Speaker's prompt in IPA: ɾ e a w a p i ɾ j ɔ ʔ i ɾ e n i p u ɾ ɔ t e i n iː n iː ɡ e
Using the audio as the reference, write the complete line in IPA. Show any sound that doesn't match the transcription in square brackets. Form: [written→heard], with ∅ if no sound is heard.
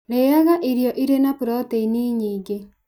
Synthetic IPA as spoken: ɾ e a [w→ɣ] a [p→ʔ] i ɾ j ɔ ʔ i ɾ e n [i→a] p u ɾ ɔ t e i n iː [n→ɲ] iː ɡ e